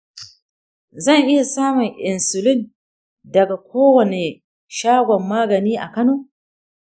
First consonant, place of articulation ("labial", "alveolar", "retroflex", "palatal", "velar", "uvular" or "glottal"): alveolar